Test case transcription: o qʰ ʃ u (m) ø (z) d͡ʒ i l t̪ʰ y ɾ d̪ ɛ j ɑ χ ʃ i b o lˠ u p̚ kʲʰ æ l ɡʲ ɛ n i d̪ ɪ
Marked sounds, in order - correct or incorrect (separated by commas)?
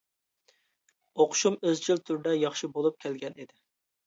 correct, correct